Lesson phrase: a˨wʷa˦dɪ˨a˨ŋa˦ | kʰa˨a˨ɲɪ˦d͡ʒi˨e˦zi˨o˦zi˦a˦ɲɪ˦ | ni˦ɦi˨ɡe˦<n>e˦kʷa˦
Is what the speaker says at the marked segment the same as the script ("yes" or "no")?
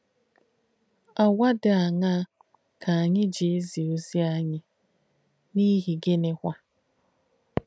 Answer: yes